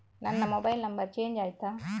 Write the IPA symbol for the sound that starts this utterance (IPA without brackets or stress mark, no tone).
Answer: n